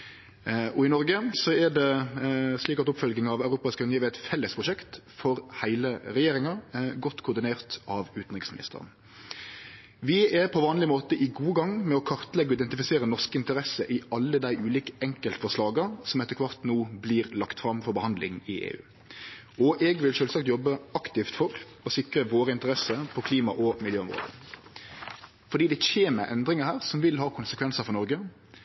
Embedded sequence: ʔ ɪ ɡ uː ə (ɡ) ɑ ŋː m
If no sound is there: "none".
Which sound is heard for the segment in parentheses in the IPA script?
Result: ɡ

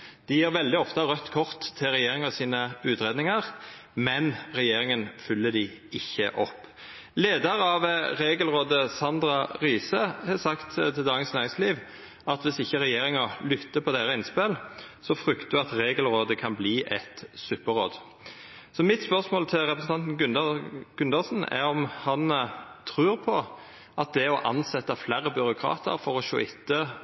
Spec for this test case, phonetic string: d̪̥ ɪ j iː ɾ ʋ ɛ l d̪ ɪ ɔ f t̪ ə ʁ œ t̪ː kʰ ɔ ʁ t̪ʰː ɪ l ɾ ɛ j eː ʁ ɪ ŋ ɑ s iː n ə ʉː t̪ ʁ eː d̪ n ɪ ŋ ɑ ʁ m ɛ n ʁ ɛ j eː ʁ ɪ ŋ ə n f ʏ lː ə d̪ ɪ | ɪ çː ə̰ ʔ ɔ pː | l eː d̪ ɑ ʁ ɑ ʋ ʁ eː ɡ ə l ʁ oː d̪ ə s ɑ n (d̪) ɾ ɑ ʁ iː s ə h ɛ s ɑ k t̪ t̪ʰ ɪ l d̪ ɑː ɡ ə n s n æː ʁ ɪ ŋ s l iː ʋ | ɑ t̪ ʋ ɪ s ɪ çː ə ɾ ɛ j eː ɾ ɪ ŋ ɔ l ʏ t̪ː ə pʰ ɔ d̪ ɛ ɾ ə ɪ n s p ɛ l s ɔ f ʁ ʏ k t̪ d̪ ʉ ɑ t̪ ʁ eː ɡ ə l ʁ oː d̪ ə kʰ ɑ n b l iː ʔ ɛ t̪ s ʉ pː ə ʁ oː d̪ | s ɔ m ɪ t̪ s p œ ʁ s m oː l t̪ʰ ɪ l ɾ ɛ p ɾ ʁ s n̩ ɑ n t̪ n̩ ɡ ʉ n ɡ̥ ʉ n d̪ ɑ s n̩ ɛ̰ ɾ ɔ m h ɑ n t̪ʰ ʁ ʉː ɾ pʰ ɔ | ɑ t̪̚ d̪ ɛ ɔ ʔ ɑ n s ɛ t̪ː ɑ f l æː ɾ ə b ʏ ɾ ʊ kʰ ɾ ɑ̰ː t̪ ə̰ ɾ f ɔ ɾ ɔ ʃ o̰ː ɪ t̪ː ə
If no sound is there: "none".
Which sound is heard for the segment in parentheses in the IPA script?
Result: d̪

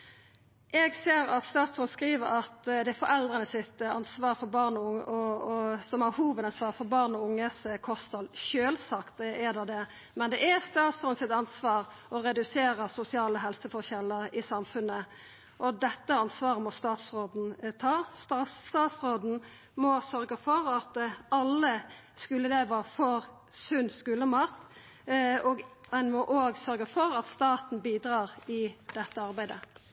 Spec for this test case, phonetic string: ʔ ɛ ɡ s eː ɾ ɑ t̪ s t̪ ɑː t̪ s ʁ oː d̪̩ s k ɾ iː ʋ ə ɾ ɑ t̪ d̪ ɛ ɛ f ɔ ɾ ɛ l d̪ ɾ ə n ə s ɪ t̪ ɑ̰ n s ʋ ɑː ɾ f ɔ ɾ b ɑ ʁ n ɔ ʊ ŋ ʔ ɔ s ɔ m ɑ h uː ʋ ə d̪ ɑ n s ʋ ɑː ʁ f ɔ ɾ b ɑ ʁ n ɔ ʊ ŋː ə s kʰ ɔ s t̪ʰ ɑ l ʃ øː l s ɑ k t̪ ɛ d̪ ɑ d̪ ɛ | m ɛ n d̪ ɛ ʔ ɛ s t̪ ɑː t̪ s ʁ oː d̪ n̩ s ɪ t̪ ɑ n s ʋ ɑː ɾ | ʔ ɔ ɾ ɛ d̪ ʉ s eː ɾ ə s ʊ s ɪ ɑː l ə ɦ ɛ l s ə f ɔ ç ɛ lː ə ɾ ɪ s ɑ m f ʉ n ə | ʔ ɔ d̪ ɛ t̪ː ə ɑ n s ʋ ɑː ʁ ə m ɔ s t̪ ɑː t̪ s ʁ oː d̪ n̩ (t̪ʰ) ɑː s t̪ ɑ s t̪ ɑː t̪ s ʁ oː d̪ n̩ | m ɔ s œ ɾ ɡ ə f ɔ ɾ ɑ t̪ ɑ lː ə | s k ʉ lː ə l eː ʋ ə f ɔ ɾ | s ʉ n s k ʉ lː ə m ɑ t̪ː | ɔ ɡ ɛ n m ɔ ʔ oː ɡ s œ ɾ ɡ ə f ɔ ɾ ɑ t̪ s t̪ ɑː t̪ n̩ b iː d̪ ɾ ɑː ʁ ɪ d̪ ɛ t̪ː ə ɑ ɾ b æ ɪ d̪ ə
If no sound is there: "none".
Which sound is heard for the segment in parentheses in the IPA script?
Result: t̪ʰ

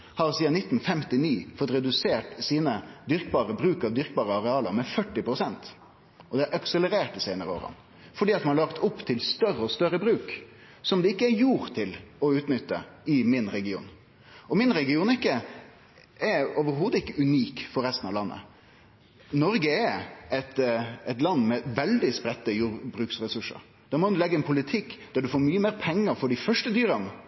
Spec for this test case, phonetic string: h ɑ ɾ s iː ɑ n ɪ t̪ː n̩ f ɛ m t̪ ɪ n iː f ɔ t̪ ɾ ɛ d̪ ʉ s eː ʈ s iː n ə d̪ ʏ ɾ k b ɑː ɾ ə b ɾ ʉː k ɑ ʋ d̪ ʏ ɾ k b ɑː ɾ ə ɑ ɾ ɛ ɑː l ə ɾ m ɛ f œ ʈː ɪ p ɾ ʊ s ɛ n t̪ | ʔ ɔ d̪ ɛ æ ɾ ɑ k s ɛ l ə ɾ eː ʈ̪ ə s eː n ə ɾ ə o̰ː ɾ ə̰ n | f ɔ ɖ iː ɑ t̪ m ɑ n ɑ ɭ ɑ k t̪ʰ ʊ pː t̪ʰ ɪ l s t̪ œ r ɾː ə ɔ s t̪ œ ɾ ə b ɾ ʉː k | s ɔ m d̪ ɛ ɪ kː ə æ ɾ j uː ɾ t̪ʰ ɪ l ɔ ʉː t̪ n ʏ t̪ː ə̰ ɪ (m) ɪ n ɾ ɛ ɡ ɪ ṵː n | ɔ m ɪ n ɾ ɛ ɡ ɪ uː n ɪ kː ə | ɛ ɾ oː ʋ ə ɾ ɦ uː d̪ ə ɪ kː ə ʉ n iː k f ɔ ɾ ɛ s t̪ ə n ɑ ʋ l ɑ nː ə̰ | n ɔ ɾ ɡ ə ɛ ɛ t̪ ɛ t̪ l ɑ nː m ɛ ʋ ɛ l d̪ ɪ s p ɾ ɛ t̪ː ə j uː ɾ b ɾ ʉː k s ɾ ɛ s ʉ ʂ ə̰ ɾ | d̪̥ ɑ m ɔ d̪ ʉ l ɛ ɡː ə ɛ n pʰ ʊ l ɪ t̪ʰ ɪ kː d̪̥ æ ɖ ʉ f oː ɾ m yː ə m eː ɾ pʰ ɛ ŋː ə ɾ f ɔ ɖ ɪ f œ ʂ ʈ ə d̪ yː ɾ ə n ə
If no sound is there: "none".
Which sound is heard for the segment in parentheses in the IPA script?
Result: m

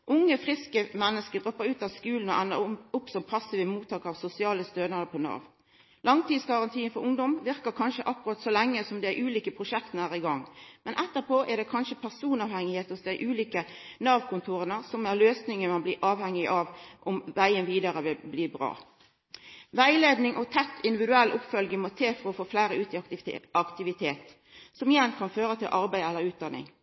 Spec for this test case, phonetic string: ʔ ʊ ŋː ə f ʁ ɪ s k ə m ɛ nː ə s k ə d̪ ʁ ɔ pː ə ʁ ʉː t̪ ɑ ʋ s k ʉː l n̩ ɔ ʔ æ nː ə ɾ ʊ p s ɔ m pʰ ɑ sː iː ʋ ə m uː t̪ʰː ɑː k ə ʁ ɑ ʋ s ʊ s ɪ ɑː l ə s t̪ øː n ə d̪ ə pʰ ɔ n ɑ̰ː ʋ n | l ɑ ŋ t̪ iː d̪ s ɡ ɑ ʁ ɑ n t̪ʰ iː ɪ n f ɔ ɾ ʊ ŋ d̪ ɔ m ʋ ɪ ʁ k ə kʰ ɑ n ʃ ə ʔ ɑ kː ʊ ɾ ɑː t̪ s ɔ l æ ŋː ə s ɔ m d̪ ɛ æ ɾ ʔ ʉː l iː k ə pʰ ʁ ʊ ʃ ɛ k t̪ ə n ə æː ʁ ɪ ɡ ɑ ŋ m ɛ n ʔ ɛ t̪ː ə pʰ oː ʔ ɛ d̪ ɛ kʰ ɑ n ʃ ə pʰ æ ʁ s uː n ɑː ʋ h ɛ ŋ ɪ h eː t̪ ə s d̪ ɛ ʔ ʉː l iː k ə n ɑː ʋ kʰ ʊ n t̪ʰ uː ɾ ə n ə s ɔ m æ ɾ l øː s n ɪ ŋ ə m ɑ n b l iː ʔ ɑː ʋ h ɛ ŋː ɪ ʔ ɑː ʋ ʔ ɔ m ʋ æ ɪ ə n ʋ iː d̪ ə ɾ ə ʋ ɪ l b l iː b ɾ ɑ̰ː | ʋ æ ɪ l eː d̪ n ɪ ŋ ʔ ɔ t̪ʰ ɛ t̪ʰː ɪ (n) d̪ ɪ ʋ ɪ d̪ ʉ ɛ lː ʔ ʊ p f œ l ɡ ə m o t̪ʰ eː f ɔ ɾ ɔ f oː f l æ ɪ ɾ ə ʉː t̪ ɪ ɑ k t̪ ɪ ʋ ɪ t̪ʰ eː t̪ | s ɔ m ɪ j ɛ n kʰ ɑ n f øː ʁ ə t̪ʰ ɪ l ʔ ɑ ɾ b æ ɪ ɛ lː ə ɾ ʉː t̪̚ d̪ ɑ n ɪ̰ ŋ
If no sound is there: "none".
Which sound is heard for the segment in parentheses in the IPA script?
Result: n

